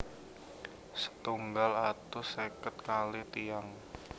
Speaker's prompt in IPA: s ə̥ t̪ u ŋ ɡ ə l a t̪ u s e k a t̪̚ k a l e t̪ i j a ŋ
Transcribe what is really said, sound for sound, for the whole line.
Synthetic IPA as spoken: s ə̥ t̪ u ŋ ɡ a l a t̪ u s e k ə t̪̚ k a l i t̪ i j a ŋ